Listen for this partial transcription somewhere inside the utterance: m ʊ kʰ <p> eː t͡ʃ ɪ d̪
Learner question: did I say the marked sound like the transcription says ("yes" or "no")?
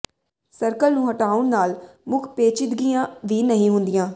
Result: yes